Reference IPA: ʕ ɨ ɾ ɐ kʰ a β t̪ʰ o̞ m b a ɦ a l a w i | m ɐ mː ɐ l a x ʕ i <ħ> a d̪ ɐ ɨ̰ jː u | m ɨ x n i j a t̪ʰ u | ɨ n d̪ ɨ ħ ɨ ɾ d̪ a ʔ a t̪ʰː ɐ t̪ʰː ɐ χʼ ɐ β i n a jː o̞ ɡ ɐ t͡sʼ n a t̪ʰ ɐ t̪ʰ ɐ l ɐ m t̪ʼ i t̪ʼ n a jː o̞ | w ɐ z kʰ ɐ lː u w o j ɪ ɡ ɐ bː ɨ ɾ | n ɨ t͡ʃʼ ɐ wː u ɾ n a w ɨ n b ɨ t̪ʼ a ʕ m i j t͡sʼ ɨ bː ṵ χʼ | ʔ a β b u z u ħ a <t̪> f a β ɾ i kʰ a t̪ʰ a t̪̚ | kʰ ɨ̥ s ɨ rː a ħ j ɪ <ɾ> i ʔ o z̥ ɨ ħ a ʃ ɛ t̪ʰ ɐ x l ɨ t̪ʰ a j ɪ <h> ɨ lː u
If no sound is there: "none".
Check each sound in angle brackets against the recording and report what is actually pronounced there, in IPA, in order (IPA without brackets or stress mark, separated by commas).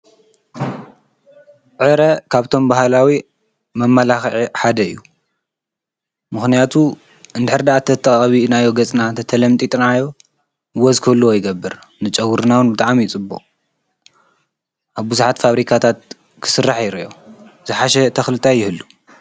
ħ, t̪, ɾ, h